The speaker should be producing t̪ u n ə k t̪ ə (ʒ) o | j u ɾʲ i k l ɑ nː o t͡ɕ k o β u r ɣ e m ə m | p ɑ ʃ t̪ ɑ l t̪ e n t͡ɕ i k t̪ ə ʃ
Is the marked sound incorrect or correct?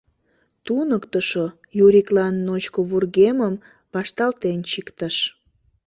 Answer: incorrect